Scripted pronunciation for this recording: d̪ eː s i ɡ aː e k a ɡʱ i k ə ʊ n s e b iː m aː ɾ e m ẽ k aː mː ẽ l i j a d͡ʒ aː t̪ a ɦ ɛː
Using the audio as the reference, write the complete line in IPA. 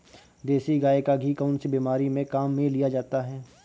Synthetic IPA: d̪ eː s i ɡ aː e k a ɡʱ i k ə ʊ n s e b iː m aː ɾ i m ẽ k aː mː ẽ l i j a d͡ʒ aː t̪ a ɦ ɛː